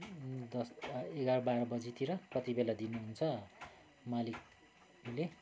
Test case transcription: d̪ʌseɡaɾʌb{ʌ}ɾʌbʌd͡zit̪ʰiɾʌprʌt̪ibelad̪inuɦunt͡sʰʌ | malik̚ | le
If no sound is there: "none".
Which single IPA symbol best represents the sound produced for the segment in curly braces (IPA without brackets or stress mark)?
a